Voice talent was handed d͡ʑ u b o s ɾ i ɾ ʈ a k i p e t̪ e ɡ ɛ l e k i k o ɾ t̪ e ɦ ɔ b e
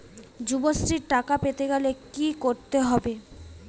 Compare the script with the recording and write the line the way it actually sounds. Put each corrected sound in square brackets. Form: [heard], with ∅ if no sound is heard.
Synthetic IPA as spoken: d͡ʑ u b o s ɾ i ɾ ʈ a k [a] p e t̪ e ɡ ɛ l e k i k o ɾ t̪ e ɦ ɔ b e